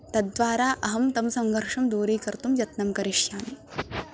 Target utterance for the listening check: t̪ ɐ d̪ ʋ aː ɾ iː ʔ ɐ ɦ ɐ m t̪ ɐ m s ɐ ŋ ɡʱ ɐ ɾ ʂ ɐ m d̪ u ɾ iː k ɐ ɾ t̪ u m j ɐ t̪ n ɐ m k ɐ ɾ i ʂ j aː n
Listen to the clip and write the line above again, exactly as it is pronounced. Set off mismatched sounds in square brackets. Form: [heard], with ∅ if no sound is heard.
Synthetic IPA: t̪ ɐ d̪ ʋ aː ɾ [aː] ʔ ɐ ɦ ɐ m t̪ ɐ m s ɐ ŋ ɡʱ ɐ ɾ ʂ ɐ m d̪ [uː] ɾ iː k ɐ ɾ t̪ u m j ɐ t̪ n ɐ m k ɐ ɾ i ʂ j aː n